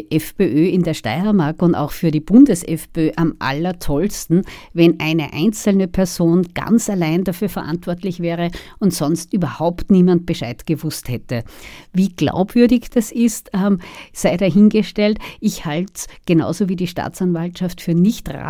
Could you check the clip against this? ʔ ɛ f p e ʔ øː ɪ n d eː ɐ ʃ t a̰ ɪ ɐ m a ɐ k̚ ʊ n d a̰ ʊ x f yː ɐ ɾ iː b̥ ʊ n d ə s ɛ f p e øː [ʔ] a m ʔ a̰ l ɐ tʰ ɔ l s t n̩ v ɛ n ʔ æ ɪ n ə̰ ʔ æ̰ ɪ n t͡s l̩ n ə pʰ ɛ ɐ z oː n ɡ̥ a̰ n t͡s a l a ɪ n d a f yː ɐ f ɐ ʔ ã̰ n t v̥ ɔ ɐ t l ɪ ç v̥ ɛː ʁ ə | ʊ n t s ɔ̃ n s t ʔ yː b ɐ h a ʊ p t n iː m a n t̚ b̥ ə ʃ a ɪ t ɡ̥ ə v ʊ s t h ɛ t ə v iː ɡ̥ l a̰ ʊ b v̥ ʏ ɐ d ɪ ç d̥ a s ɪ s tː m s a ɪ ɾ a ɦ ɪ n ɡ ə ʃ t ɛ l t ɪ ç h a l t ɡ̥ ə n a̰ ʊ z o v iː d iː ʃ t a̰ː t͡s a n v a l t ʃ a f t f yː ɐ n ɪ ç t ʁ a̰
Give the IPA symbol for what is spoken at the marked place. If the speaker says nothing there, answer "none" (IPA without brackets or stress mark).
ʔ